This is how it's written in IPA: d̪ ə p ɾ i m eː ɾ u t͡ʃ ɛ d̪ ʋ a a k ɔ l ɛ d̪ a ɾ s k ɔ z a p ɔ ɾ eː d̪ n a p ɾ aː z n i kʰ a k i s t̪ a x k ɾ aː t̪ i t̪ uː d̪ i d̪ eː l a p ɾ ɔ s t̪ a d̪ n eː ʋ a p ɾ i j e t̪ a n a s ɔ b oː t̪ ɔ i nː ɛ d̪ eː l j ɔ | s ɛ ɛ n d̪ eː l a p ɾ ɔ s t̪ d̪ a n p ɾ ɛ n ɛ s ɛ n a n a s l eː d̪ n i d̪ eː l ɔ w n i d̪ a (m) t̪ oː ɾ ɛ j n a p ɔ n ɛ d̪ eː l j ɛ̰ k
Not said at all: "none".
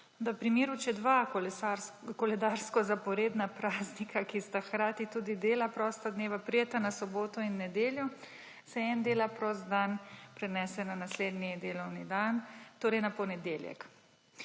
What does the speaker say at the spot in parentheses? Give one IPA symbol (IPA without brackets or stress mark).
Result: n